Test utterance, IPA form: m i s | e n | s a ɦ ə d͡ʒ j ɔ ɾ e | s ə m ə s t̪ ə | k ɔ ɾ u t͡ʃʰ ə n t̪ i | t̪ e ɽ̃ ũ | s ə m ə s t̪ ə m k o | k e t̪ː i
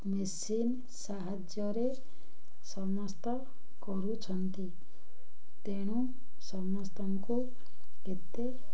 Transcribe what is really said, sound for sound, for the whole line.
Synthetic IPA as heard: m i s | i n | s a ɦ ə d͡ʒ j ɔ ɾ e | s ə m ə s t̪ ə | k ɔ ɾ u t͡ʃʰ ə n t̪ i | t̪ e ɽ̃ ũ | s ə m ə s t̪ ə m k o | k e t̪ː e